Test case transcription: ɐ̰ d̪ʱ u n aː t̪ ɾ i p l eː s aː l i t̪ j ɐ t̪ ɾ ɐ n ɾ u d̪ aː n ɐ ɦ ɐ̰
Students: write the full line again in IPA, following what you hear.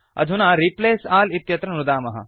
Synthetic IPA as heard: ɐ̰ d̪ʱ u n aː ɾ i p l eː s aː l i t̪ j ɐ t̪ ɾ ɐ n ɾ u d̪ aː m ɐ ɦ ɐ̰

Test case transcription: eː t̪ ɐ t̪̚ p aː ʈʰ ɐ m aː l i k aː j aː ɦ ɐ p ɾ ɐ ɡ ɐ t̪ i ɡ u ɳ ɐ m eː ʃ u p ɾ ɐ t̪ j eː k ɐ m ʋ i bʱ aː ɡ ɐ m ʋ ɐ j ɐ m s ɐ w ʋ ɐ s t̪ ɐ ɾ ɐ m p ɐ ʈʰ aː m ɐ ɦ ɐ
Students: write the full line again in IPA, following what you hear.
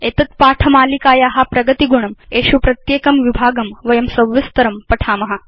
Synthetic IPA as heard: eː t̪ ɐ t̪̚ p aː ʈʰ ɐ m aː l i k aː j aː ɦ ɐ p ɾ ɐ ɡ ɐ t̪ i ɡ u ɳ ɐ m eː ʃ u p ɾ ɐ t̪ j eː k ɐ m ʋ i bʱ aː ɡ ɐ m ʋ ɐ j ɐ m s ɐ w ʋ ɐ s t̪ ɐ ɾ ɐ m p ɐ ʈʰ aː m ɐ ɦ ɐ

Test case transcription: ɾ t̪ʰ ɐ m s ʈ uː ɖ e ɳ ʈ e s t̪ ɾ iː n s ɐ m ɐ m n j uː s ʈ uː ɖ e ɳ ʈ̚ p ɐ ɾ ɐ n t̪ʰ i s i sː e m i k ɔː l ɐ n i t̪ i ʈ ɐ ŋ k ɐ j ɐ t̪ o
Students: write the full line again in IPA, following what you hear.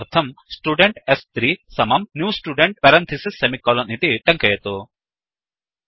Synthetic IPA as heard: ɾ t̪ʰ ɐ m s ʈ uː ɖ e ɳ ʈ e s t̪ ɾ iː s ɐ m ɐ m n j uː s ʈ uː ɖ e ɳ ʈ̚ p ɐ ɾ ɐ n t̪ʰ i s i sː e m i k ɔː l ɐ n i t̪ i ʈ ɐ ŋ k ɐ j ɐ t̪ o

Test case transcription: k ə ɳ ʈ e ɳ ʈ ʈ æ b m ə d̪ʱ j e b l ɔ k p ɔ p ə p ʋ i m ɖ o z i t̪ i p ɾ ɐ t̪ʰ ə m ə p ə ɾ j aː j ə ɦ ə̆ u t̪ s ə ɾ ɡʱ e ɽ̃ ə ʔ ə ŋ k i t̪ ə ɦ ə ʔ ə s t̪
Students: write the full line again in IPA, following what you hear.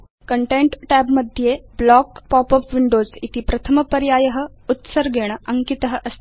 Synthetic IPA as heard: k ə ɳ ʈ e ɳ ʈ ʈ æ b m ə d̪ʱ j e b l ɔ k p ɔ p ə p ʋ i ɳ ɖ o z i t̪ i p ɾ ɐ t̪ʰ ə m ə p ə ɾ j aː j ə ɦ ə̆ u t̪ s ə ɾ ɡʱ e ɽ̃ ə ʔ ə ŋ k i t̪ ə ɦ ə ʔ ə s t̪

